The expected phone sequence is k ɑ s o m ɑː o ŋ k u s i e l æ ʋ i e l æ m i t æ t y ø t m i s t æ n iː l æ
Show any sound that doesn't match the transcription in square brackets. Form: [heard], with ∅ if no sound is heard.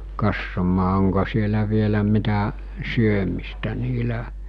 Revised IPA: k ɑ [sː] o m ɑː o ŋ k [o] s i e l æ ʋ i e l æ m i t æ [s] y ø [∅] m i s t æ n iː l æ